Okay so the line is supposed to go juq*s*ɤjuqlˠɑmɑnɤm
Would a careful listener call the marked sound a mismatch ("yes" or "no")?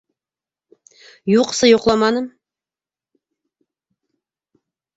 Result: no